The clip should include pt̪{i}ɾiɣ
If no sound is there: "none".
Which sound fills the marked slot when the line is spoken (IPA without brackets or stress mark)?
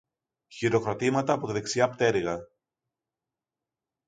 e